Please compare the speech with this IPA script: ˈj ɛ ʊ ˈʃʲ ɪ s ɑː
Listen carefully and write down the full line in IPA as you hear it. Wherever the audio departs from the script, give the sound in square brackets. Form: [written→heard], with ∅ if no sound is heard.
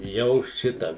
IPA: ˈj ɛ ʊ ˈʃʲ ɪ [s→t] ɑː